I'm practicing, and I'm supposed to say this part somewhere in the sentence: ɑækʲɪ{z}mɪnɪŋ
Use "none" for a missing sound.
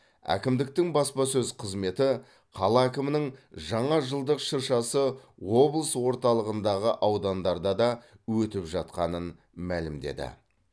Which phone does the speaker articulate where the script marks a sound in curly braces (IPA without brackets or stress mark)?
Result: none